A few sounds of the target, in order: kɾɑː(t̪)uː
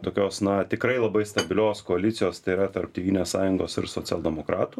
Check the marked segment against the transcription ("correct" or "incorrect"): correct